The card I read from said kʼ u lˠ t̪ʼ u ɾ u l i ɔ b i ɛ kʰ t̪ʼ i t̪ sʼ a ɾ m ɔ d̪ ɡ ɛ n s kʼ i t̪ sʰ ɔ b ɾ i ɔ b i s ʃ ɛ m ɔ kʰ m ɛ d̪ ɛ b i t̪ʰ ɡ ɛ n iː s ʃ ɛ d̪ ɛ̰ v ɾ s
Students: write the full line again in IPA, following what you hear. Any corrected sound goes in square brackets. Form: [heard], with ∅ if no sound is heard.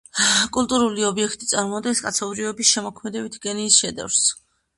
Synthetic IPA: kʼ u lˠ t̪ʼ u ɾ u l i ɔ b i ɛ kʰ t̪ʼ i t̪ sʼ a ɾ m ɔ d̪ ɡ ɛ n s kʼ [a] t̪ sʰ ɔ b ɾ i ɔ b i s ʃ ɛ m ɔ kʰ m ɛ d̪ ɛ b i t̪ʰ ɡ ɛ n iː s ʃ ɛ d̪ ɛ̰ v ɾ s